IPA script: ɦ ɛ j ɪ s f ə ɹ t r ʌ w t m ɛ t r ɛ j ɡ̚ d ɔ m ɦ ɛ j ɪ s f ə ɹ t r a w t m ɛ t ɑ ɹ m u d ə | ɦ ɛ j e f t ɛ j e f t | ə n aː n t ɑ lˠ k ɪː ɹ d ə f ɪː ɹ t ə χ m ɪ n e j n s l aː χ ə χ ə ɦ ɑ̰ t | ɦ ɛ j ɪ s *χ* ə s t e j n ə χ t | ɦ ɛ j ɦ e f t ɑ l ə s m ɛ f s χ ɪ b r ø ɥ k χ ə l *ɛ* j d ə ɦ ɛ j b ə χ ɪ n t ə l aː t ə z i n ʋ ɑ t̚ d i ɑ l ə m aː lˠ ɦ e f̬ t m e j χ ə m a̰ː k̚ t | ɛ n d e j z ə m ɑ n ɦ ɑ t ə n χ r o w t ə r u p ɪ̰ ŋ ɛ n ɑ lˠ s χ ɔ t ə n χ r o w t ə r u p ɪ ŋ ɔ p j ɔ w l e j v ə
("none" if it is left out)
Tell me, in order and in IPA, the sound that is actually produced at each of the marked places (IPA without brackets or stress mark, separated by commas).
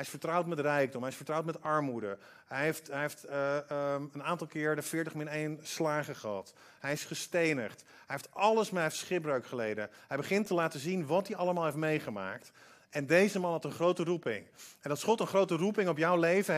χ, e